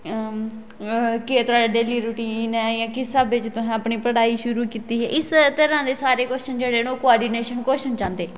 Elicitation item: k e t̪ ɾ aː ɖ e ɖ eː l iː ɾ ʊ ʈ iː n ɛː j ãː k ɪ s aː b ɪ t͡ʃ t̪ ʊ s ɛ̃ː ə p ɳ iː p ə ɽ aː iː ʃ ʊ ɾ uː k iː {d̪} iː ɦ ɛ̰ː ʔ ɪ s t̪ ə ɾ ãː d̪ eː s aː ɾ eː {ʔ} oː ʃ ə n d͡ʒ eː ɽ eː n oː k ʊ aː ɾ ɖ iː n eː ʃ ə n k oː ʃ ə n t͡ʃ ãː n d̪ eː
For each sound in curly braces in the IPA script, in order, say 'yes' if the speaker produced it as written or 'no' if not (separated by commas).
no, no